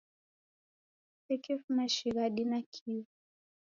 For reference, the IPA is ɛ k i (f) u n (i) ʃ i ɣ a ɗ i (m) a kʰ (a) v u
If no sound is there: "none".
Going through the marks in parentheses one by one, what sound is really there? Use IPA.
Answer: f, a, n, i

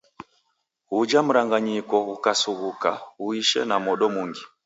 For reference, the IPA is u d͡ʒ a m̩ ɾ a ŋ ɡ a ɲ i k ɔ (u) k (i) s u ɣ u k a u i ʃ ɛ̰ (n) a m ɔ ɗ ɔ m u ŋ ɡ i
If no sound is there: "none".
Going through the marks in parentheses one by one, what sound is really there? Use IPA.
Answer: u, a, n

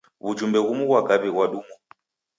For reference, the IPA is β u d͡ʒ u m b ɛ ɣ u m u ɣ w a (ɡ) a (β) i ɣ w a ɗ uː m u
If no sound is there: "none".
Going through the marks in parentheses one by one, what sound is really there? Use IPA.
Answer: ɡ, β

